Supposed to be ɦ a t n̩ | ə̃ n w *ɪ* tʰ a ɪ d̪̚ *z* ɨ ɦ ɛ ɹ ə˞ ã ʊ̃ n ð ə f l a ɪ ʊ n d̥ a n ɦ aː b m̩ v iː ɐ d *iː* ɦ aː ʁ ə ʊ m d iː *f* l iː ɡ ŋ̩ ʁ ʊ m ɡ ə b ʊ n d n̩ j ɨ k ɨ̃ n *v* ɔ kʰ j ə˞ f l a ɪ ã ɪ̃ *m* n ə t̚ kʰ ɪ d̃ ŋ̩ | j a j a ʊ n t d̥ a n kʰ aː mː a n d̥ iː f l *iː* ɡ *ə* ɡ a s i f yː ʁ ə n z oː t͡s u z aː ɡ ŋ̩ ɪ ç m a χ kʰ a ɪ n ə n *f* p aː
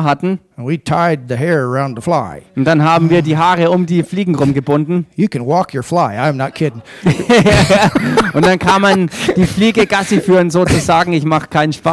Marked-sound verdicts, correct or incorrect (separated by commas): incorrect, incorrect, correct, correct, incorrect, correct, correct, correct, incorrect